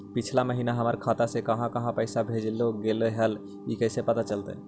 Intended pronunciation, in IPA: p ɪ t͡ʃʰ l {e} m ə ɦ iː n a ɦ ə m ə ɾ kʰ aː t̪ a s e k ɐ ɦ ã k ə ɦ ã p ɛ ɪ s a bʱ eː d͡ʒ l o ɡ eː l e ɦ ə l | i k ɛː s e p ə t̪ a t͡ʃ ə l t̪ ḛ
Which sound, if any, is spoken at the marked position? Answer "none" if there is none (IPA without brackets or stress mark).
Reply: a